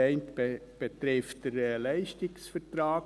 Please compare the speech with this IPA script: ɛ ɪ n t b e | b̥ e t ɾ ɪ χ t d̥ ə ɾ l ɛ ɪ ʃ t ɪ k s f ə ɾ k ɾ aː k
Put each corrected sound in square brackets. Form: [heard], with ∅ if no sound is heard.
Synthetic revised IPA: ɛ ɪ n t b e | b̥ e t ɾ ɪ [f] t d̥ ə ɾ l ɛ ɪ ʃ t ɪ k s f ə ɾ [t] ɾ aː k